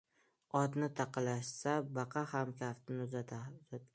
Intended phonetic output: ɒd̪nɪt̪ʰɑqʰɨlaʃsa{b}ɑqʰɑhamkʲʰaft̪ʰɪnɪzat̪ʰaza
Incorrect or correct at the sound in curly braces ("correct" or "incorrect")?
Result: correct